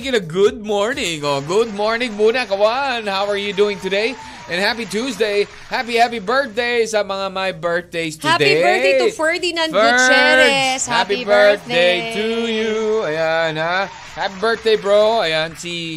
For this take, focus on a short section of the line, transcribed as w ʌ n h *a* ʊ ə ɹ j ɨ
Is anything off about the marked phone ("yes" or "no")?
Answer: no